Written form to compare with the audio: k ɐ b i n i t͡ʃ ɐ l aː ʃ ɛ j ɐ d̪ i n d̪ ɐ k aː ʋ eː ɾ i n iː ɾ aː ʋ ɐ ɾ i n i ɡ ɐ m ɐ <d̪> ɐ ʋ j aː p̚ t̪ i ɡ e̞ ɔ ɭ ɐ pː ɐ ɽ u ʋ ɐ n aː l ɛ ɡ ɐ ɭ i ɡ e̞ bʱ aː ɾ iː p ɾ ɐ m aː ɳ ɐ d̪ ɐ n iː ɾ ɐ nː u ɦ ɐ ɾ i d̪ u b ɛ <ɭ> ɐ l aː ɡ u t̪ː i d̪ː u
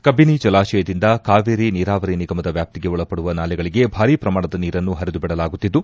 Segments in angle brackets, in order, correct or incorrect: correct, incorrect

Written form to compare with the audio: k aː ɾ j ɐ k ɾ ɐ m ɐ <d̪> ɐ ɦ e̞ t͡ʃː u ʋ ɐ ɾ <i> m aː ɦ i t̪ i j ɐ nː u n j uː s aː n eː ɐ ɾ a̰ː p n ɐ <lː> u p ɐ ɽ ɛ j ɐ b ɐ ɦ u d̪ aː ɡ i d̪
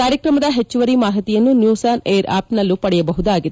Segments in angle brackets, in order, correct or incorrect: correct, correct, correct

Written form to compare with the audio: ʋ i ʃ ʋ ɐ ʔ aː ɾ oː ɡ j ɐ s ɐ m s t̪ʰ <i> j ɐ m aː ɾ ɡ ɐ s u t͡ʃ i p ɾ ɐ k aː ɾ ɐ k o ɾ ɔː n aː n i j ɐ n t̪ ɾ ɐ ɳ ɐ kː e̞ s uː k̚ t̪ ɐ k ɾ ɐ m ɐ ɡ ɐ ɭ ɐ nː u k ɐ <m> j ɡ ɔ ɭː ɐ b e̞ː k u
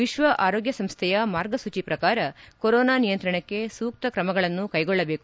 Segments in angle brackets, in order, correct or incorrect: incorrect, incorrect

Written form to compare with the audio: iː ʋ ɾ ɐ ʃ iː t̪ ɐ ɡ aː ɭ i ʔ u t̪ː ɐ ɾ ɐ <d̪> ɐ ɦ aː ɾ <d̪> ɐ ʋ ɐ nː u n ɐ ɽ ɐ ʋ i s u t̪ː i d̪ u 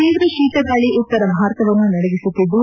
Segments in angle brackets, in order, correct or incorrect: incorrect, incorrect

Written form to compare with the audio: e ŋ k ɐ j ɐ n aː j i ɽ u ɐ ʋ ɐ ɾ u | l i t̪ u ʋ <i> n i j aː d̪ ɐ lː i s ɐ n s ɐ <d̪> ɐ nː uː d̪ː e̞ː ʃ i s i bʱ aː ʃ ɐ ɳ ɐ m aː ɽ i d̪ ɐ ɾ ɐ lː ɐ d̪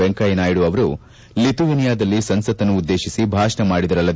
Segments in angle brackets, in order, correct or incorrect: correct, incorrect

